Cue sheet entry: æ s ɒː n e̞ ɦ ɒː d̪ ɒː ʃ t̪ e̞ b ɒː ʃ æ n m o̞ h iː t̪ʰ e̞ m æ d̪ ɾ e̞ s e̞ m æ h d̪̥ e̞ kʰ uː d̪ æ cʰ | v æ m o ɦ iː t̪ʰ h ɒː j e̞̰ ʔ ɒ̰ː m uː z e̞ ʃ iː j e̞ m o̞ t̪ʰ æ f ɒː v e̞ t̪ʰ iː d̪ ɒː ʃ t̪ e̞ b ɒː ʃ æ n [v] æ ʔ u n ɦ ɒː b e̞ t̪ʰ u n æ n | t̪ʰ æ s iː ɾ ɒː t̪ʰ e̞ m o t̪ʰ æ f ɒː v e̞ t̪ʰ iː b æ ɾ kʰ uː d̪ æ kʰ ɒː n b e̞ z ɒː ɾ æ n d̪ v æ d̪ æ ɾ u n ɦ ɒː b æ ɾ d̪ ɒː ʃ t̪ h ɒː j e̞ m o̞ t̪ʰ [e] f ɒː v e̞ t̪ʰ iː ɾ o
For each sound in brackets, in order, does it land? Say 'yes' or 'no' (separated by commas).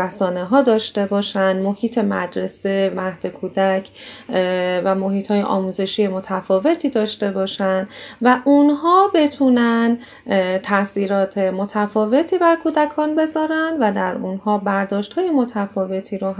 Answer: yes, no